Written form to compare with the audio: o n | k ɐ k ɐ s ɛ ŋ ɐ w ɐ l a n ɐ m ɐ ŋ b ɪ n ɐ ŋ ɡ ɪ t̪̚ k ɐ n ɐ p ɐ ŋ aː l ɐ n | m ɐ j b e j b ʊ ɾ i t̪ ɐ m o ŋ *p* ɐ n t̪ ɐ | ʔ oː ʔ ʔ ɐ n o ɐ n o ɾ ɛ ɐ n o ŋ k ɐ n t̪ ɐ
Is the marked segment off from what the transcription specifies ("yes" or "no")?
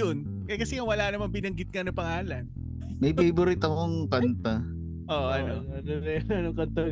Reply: yes